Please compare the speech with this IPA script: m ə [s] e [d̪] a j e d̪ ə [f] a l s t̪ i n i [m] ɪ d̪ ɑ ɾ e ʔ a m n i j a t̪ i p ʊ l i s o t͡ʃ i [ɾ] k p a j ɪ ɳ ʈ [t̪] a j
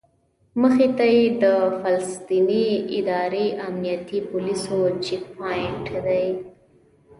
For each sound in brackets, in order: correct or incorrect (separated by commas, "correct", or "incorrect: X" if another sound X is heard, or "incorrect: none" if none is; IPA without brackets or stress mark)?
incorrect: x, incorrect: t̪, correct, incorrect: none, incorrect: none, incorrect: d̪